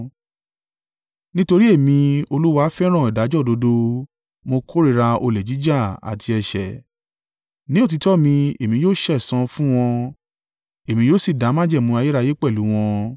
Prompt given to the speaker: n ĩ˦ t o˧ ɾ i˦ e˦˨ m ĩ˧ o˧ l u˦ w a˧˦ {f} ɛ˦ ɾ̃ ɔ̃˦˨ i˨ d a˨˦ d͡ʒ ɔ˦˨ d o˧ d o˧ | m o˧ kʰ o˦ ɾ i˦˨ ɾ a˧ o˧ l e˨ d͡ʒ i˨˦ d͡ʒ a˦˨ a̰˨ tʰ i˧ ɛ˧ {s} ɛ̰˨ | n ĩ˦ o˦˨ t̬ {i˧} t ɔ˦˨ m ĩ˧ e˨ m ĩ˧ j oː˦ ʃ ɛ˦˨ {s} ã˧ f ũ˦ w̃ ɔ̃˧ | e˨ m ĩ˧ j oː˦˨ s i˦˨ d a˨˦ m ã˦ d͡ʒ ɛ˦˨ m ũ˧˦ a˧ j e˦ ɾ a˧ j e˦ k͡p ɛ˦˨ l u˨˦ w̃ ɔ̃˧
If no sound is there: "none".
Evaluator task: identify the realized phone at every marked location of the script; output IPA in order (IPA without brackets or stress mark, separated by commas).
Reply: f, ʃ, i˧, s